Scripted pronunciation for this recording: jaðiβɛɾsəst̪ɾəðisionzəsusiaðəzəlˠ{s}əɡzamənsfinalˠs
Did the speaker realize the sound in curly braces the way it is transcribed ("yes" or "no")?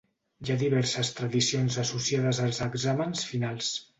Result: no